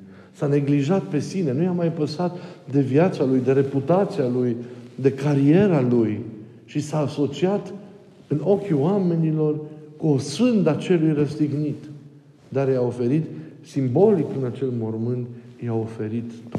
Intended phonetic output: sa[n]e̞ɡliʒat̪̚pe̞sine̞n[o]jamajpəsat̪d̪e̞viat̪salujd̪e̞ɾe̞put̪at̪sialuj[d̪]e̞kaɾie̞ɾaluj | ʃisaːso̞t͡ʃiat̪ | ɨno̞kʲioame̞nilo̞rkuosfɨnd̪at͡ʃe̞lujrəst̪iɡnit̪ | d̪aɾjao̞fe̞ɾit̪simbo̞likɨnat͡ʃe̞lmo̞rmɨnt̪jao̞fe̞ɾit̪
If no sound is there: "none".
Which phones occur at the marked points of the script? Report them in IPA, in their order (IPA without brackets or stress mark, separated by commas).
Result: n, u, d̪